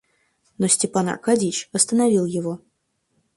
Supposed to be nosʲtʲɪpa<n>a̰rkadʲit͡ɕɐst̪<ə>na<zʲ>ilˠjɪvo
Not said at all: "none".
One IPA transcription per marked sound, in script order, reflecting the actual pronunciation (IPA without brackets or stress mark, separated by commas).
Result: n, ə, vʲ